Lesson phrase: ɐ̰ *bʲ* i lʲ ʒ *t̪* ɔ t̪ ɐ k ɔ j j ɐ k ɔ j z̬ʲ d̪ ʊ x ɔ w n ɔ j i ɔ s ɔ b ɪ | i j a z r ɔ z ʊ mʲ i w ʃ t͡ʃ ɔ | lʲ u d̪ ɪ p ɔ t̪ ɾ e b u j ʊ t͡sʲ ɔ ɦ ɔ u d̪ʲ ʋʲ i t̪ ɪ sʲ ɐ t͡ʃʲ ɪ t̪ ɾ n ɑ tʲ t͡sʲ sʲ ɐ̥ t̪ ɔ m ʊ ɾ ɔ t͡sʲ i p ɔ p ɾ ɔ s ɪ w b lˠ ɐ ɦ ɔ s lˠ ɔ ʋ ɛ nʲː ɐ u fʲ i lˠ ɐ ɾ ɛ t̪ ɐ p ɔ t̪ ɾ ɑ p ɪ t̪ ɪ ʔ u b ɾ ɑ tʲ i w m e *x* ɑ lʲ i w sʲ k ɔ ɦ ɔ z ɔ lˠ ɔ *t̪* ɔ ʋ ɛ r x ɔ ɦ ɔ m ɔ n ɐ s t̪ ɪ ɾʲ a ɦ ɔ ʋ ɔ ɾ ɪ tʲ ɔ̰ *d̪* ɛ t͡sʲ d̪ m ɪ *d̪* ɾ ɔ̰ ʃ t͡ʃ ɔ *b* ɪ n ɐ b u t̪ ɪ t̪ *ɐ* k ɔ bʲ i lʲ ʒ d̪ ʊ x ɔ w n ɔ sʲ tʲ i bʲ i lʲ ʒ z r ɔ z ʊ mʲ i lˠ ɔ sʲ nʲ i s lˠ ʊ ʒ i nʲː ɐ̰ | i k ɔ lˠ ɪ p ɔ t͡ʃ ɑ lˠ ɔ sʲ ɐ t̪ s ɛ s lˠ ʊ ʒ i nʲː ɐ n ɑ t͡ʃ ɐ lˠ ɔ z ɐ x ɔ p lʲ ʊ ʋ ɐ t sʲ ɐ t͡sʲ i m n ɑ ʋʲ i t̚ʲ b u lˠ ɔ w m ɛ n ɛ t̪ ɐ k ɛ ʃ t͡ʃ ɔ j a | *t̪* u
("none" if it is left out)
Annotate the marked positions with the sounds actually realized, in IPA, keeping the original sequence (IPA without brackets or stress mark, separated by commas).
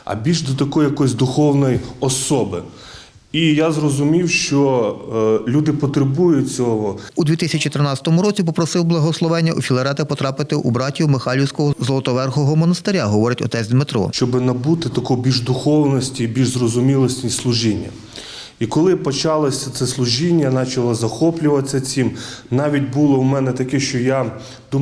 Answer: bʲ, d̪, x, t̪, t̪, t̪, b, ɐ, d̪